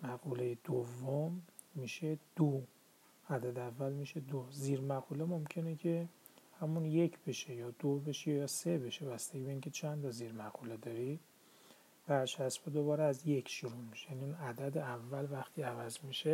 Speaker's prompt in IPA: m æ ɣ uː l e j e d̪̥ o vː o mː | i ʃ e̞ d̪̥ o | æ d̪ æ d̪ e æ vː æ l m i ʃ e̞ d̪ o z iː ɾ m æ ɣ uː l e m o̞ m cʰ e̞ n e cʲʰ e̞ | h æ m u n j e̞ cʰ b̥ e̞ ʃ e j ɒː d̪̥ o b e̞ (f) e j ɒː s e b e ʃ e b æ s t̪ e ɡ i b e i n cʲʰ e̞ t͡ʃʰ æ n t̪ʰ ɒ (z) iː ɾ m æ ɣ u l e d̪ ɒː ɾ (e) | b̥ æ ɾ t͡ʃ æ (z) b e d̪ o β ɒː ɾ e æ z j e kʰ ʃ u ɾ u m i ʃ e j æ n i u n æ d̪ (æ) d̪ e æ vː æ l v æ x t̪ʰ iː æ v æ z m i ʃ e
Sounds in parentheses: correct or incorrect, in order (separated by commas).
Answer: incorrect, correct, incorrect, incorrect, correct